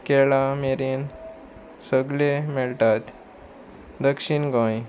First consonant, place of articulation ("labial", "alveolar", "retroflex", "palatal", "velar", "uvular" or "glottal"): velar